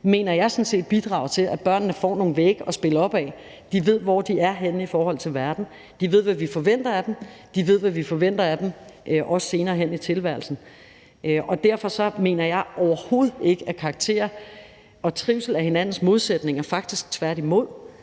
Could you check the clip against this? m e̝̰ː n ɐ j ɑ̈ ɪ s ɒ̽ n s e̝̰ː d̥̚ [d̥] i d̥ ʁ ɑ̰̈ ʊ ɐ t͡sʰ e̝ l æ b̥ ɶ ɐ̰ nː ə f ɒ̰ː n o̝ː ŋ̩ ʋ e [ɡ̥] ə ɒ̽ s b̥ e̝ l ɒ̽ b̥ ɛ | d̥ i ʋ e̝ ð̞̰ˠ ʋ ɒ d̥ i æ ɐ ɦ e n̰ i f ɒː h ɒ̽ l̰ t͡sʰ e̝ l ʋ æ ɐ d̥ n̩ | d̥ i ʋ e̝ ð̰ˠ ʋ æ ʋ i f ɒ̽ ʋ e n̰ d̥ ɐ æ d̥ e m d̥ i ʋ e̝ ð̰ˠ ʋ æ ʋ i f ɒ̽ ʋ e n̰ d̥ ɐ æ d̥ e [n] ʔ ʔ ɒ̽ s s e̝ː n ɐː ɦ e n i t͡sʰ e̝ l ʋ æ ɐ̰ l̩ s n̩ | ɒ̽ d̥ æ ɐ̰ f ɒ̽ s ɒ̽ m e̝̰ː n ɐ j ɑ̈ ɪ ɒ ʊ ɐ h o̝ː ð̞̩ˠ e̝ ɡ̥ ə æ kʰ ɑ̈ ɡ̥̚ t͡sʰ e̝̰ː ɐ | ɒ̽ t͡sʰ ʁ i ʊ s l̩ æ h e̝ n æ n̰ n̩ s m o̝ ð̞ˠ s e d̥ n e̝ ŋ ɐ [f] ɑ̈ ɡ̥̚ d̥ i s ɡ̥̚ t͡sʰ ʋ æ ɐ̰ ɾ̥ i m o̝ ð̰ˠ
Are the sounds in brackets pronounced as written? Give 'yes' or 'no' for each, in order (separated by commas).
no, yes, no, yes